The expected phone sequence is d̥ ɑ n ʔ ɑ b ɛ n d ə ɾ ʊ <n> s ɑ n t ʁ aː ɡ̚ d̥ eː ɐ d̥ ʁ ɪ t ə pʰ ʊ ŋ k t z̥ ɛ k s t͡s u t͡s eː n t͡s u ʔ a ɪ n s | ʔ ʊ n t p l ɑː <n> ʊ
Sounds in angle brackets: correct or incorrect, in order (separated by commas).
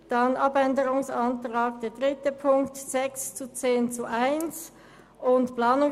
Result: incorrect, correct